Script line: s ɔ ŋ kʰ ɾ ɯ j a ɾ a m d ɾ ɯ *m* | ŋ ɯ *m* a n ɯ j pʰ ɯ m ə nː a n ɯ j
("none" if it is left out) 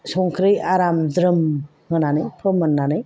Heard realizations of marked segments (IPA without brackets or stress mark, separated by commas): m, n